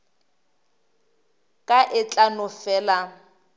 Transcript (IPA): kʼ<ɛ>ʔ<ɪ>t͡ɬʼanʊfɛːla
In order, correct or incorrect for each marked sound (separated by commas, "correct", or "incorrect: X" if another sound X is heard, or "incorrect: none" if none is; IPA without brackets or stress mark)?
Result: incorrect: a, correct